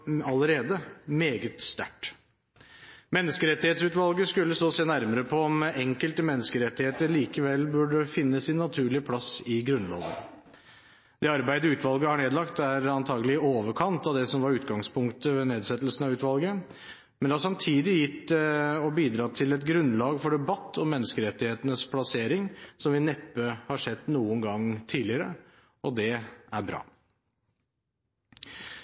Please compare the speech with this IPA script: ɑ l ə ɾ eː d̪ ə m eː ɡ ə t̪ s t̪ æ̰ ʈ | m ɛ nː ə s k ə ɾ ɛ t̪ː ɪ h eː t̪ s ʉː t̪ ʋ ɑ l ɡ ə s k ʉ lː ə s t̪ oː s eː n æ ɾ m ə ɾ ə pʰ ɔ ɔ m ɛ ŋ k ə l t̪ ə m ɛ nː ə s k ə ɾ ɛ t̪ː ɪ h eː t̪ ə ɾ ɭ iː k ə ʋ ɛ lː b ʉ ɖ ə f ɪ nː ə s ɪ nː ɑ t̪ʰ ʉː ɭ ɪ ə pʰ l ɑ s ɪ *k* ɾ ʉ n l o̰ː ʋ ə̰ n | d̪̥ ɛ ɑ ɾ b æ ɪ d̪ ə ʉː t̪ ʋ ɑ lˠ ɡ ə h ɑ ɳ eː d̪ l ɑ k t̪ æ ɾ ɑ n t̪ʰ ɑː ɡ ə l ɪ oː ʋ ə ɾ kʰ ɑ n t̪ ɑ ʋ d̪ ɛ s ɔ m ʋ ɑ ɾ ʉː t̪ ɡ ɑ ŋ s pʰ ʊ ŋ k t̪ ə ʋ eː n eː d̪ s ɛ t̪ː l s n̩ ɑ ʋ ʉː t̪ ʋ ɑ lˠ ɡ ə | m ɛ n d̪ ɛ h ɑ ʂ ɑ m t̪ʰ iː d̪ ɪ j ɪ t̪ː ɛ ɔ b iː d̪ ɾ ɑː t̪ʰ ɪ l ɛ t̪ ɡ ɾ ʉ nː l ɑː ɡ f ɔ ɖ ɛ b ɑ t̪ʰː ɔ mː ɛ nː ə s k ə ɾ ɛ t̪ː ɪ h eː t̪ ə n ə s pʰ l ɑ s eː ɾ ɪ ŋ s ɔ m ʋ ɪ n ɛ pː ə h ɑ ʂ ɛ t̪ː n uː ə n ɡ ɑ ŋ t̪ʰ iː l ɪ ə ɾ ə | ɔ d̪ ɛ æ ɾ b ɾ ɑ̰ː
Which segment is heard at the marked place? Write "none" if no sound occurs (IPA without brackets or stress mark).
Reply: ɡ